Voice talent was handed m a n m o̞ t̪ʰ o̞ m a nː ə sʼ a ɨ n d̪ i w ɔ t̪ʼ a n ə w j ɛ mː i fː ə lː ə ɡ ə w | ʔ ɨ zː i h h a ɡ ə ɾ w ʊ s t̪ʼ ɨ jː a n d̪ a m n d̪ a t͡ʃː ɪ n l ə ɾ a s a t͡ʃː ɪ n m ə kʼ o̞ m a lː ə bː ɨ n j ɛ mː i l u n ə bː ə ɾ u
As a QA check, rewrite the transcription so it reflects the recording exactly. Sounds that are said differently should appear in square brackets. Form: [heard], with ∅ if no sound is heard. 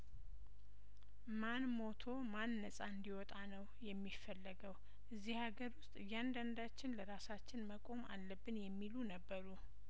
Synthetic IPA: m a n m o̞ t̪ʰ o̞ m a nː ə sʼ a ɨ n d̪ i w ɔ t̪ʼ a n ə w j ɛ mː i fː ə lː ə ɡ ə w | ʔ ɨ zː i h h a ɡ ə ɾ w ʊ s t̪ʼ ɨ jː a n d̪ a [∅] n d̪ a t͡ʃː ɪ n l ə ɾ a s a t͡ʃː ɪ n m ə kʼ o̞ m a lː ə bː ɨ n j ɛ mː i l u n ə bː ə ɾ u